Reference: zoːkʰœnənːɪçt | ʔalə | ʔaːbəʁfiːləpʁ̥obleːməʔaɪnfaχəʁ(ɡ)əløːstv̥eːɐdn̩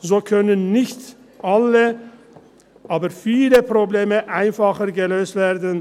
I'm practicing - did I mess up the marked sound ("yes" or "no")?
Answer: no